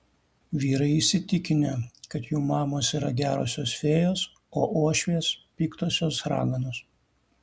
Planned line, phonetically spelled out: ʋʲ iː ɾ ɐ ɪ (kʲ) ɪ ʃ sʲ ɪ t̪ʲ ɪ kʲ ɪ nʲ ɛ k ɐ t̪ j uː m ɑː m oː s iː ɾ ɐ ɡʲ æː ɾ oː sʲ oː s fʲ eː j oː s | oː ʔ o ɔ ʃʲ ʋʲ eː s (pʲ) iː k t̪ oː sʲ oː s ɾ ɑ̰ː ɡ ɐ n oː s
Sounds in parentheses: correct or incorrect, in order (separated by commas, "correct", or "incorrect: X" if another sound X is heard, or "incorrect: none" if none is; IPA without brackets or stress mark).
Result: incorrect: none, correct